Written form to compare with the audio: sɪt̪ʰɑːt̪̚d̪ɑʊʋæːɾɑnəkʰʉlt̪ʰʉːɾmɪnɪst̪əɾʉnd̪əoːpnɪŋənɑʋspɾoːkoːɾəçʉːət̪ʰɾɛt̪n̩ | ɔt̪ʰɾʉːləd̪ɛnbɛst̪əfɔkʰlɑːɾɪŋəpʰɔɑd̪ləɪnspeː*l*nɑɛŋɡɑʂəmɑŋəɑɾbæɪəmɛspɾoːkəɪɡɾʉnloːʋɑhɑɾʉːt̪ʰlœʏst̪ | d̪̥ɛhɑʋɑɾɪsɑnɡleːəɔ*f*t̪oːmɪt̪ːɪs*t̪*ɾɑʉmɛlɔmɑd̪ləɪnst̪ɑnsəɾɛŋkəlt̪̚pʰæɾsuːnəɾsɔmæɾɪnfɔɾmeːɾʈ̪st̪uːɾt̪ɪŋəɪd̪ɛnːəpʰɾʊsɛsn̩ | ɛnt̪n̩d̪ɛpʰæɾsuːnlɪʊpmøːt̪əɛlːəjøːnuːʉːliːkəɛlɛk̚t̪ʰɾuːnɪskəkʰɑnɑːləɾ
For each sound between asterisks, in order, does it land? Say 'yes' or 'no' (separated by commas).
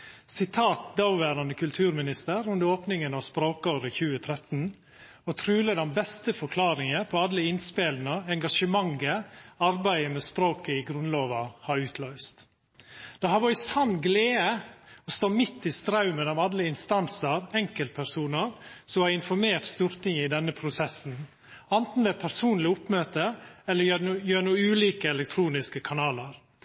yes, no, yes